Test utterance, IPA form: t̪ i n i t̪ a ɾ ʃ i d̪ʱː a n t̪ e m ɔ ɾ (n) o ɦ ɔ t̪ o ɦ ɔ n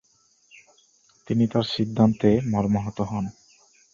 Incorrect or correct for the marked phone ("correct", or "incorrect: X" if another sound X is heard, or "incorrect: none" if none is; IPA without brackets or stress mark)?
incorrect: m